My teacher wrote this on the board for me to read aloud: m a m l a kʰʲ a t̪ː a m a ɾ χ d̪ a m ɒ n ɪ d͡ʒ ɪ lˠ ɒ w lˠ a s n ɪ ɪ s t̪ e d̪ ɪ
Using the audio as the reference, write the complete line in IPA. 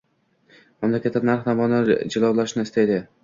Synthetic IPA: m a m l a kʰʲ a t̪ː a n a ɾ χ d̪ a m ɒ n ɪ d͡ʒ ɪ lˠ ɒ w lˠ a ʃ n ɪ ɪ s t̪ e d̪ ɪ